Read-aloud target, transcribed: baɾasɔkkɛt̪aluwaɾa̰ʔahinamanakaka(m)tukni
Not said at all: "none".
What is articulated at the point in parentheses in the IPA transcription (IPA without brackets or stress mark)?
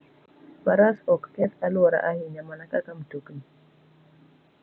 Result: m